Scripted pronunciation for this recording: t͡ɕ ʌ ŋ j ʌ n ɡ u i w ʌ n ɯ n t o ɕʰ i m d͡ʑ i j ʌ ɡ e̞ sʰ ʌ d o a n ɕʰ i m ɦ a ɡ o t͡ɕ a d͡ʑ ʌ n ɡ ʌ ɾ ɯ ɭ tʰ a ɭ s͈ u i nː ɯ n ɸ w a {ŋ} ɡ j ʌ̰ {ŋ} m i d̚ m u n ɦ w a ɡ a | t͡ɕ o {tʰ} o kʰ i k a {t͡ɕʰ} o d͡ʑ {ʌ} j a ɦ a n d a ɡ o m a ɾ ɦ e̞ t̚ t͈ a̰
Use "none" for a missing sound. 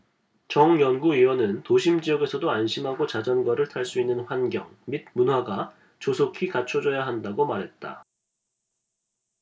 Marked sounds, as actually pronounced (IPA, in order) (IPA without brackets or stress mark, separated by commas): n, ŋ, sʰ, t͡ɕʰ, ʌ